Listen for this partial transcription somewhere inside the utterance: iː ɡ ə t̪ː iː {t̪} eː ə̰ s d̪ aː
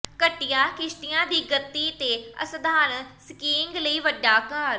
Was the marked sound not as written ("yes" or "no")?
no